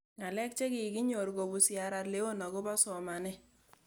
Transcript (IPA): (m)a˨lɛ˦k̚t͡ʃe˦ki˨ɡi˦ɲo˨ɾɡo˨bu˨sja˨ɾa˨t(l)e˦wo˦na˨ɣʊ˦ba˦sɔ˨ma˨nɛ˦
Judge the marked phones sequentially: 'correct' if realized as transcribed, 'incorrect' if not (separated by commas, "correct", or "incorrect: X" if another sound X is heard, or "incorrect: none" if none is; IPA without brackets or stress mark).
incorrect: ŋ, correct